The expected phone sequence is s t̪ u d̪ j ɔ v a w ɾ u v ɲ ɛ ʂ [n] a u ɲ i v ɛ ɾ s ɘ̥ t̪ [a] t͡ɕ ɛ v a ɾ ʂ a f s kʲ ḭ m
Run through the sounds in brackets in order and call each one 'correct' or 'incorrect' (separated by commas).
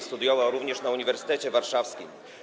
correct, incorrect